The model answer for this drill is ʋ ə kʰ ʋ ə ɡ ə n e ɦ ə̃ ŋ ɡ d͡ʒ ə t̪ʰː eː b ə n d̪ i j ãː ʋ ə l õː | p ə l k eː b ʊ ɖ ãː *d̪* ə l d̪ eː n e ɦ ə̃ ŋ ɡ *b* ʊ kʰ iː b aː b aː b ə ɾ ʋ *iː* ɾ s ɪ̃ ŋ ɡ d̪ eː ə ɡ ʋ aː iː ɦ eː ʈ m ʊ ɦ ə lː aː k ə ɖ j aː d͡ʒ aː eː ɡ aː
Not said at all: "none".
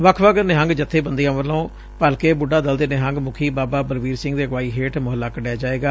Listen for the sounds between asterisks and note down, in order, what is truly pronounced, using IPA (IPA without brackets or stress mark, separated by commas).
d̪, m, iː